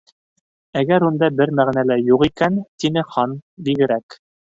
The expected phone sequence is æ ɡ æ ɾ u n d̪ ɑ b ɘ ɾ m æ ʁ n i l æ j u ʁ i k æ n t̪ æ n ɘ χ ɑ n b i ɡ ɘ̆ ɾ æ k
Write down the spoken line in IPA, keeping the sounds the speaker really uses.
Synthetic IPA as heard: æ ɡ æ ɾ u n d̪ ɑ b ɘ ɾ m æ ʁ n æ l æ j u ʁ i k æ n t̪ i n ɘ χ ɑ n b i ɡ ɘ̆ ɾ æ k